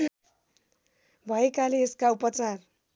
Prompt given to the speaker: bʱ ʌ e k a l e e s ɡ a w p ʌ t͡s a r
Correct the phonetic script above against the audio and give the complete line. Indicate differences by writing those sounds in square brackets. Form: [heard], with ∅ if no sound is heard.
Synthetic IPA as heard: bʱ ʌ e k a l e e s [k] a [u] p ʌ t͡s a r